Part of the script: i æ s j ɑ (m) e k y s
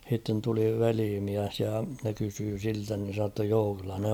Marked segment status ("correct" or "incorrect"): incorrect